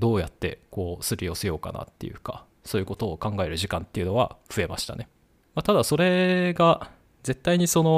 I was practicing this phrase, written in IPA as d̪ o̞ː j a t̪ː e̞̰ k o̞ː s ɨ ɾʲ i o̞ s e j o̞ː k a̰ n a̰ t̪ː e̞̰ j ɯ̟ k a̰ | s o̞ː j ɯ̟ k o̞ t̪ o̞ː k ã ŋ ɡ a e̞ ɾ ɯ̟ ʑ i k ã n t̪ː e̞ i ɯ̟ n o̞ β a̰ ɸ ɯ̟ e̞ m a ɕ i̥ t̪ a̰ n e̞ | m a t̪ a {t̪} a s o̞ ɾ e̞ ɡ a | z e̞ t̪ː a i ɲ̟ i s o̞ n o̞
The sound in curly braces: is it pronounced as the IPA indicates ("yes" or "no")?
no